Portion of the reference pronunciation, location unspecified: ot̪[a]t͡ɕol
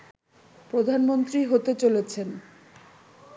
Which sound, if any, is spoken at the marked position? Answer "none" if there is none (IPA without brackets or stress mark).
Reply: e